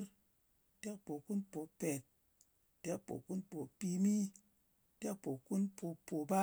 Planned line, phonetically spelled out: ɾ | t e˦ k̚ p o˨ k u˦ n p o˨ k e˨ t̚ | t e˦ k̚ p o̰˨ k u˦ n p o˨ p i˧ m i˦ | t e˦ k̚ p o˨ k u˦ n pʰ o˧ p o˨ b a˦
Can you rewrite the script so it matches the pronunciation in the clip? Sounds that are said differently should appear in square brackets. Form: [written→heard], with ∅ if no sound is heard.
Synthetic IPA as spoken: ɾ | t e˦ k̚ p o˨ k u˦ n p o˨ [k→p] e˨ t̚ | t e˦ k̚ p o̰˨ k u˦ n p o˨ p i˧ m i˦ | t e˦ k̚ p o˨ k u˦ n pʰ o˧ p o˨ b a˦